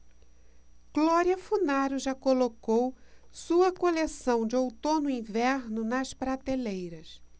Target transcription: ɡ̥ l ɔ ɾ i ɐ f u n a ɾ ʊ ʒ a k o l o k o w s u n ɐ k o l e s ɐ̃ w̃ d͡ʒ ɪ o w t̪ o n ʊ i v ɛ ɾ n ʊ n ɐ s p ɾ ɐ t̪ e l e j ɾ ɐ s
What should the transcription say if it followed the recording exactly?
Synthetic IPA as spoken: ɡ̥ l ɔ ɾ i ɐ f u n a ɾ ʊ ʒ a k o l o k o w s u ɐ k o l e s ɐ̃ w̃ d͡ʒ ɪ o w t̪ o n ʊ ĩ v ɛ ɾ n ʊ n ɐ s p ɾ a t̪ e l e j ɾ ɐ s